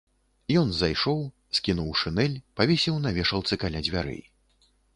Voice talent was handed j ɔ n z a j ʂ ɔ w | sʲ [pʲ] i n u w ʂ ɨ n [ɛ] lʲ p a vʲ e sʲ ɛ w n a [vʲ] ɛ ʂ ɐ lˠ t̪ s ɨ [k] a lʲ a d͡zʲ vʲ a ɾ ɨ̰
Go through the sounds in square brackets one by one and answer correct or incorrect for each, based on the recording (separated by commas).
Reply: incorrect, correct, correct, correct